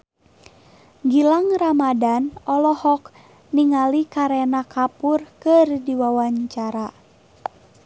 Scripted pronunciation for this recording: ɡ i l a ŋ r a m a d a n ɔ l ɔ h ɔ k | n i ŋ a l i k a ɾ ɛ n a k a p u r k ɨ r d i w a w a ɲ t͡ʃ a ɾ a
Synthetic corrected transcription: ɡ i l a ŋ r a m a d a n ɔ l ɔ h ɔ k | n i ŋ a l i k a ɾ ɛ n a k a p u r k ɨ r d i w a w a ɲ t͡ʃ a ɾ a